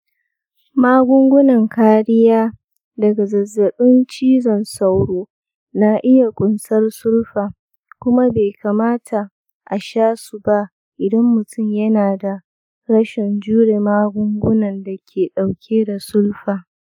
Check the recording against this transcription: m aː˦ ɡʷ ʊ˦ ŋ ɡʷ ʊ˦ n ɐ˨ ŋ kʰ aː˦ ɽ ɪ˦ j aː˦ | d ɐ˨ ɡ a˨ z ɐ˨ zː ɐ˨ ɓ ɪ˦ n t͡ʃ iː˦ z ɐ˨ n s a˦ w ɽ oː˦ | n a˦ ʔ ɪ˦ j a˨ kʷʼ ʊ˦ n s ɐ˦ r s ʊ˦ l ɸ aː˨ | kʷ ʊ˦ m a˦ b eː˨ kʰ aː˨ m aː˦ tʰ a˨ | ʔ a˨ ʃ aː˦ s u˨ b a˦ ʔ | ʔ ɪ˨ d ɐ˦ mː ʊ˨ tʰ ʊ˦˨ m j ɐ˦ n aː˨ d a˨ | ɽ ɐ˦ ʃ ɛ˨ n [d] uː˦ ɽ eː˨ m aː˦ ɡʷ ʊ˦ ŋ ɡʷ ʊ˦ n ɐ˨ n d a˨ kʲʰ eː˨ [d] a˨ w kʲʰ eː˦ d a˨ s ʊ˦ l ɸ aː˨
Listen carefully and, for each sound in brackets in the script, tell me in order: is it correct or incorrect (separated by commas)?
incorrect, incorrect